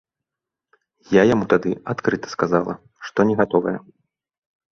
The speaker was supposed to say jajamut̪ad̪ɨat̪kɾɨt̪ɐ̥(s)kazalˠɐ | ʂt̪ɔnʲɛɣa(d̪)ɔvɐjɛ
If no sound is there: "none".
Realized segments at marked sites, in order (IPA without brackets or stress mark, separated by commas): s, t̪